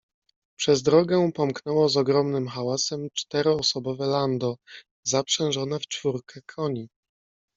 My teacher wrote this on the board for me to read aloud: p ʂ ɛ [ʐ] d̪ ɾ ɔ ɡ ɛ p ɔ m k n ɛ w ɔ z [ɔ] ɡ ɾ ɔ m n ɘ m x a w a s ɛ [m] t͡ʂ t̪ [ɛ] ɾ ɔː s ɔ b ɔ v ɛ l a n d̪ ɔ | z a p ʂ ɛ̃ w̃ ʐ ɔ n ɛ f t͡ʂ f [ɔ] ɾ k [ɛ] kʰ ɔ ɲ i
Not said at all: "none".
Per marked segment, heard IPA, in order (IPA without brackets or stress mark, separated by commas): z, ɔ, m, ɛ, u, ɛ